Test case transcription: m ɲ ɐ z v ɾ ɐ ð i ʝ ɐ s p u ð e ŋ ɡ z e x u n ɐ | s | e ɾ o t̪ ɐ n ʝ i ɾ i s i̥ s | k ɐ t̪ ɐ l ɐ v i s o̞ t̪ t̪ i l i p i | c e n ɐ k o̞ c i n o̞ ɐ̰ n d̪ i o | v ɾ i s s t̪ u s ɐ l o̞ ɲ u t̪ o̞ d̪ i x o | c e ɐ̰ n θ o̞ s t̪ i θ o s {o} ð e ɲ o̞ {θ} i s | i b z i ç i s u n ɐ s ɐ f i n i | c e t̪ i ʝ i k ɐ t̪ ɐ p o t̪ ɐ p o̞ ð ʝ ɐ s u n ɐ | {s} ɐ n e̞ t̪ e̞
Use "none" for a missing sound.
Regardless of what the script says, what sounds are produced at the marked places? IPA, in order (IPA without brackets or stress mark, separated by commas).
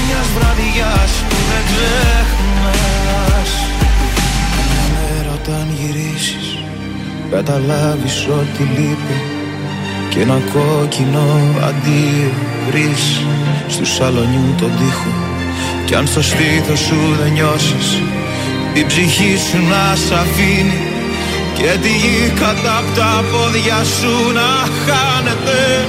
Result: u, s, x